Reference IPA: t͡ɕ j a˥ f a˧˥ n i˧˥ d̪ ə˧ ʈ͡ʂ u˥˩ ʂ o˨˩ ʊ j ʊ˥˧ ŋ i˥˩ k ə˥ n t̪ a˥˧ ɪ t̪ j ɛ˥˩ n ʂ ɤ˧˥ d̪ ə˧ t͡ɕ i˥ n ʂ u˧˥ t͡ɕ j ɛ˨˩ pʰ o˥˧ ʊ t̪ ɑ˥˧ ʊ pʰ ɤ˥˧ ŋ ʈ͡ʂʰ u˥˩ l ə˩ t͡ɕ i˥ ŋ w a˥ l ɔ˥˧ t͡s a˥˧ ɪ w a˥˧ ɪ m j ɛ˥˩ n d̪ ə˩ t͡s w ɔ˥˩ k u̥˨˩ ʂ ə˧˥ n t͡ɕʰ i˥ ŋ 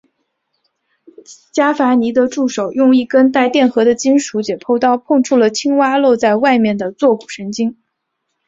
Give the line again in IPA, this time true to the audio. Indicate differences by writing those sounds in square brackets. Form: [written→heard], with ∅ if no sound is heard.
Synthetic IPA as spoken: t͡ɕ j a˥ f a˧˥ n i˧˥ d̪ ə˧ ʈ͡ʂ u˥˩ ʂ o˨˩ ʊ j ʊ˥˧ ŋ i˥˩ k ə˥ n t̪ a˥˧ ɪ t̪ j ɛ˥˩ n [ʂ→x] ɤ˧˥ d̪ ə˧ t͡ɕ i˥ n ʂ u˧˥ t͡ɕ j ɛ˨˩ pʰ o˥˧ ʊ t̪ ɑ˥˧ ʊ pʰ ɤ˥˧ ŋ ʈ͡ʂʰ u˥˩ l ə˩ [t͡ɕ→t͡ɕʰ] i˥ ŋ w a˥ l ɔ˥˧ t͡s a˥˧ ɪ w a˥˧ ɪ m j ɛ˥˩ n d̪ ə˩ t͡s w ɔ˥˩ k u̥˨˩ ʂ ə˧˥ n [t͡ɕʰ→t͡ɕ] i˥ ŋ